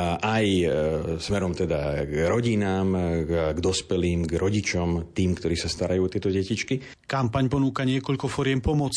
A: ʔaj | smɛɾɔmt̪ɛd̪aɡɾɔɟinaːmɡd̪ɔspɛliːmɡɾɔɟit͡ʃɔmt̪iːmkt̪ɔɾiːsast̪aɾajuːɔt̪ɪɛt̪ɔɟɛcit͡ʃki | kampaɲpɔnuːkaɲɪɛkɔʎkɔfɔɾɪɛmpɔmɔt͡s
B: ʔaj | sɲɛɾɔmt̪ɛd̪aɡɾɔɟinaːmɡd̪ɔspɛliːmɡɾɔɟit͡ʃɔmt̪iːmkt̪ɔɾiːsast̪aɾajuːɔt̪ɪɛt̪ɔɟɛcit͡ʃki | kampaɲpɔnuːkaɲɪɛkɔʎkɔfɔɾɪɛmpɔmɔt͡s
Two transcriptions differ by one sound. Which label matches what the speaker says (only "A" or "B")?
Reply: A